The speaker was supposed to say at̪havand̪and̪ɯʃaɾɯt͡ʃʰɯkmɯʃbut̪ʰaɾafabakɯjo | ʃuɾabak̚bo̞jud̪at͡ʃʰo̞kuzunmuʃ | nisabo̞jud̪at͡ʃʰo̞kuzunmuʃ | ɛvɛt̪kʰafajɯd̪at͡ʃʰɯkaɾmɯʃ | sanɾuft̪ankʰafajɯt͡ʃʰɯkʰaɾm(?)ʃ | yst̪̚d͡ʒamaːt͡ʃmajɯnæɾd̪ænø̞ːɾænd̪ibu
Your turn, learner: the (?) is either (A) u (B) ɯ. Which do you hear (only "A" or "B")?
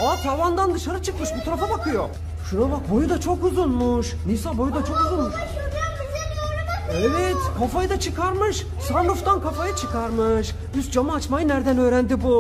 B